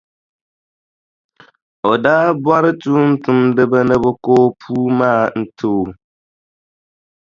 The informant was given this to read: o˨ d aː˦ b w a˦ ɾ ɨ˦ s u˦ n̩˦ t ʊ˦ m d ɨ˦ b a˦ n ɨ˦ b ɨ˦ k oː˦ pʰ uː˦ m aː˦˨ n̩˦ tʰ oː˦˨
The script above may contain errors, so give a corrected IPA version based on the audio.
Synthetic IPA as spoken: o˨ d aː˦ b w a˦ ɾ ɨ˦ t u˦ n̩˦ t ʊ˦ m d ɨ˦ b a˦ n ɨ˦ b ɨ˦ k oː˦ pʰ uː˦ m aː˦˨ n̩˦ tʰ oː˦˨